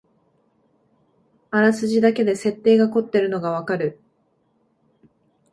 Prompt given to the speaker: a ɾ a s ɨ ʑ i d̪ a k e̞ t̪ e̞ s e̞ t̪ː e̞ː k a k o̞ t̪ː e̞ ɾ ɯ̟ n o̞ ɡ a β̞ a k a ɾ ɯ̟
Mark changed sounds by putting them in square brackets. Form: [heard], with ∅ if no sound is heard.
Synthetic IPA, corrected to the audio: a ɾ a s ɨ ʑ i d̪ a k e̞ [d̪] e̞ s e̞ t̪ː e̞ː [ɡ] a k o̞ t̪ː e̞ ɾ ɯ̟ n o̞ ɡ a β̞ a k a ɾ ɯ̟